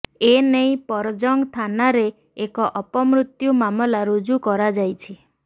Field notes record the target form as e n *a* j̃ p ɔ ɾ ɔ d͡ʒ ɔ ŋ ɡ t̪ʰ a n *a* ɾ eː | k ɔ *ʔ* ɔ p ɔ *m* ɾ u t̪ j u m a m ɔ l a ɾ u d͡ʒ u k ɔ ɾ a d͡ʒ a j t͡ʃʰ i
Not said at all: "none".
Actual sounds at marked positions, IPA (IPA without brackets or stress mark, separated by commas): e, a, ʔ, m